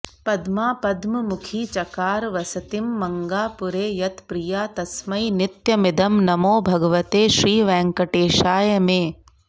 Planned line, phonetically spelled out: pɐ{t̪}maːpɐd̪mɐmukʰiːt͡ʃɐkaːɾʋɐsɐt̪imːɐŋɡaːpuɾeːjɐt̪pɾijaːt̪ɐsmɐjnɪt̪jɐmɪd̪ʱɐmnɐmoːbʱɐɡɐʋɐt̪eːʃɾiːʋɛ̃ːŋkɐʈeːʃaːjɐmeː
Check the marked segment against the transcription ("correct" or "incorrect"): incorrect